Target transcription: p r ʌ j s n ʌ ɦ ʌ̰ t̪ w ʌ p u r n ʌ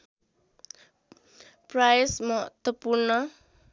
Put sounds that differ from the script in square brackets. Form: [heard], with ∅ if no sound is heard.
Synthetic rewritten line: p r [a] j s [m] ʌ ɦ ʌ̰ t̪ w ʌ p u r n ʌ